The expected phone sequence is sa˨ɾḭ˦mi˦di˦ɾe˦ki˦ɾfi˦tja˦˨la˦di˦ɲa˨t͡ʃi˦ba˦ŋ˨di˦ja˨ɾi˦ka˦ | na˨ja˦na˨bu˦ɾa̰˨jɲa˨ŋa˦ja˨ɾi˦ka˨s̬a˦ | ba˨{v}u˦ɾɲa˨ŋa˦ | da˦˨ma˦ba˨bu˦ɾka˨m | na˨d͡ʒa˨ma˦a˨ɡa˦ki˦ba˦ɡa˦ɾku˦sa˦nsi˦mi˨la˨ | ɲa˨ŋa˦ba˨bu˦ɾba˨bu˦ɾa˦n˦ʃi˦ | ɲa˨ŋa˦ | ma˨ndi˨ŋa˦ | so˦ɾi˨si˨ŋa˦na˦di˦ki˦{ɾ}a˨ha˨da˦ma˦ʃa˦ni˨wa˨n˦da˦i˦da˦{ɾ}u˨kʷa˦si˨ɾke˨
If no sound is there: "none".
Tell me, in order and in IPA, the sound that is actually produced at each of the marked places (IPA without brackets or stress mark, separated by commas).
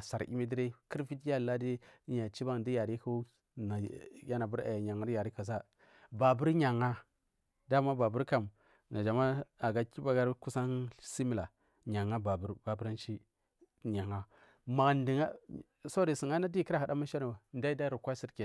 b, ɾ, ɾ